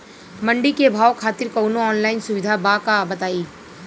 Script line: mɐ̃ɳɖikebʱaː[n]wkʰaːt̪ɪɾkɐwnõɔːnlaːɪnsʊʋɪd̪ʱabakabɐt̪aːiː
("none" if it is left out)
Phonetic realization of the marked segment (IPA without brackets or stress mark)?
none